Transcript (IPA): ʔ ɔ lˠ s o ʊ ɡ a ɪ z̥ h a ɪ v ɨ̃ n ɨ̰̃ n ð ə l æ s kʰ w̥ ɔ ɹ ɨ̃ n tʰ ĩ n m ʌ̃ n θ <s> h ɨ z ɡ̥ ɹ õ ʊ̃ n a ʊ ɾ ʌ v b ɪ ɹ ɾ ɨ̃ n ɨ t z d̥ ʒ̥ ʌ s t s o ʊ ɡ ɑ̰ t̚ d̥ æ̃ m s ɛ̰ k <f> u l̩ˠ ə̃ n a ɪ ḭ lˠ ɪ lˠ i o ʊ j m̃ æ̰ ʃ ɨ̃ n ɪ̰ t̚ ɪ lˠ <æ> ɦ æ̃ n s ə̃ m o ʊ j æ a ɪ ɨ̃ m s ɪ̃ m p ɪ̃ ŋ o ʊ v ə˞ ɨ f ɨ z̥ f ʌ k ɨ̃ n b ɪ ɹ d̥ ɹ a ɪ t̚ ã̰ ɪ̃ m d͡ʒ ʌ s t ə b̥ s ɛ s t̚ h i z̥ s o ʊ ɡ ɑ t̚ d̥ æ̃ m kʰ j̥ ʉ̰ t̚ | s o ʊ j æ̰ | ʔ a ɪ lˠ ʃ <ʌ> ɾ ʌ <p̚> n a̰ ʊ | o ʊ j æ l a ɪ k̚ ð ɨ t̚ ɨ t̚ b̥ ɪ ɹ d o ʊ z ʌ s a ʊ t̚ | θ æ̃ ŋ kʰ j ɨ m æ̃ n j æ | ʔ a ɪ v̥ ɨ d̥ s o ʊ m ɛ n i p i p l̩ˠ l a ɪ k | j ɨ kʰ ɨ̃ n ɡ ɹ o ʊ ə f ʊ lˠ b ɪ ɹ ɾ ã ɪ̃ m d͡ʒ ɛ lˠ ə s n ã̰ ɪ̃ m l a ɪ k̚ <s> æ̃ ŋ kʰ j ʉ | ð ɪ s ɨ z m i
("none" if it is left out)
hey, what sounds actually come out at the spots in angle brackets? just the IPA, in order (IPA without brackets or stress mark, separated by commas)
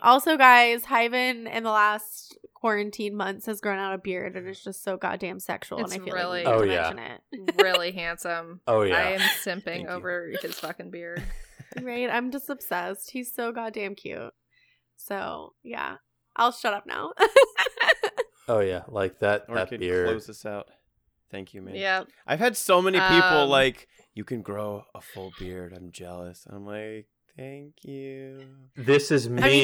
s, ʃ, i, ʌ, p̚, θ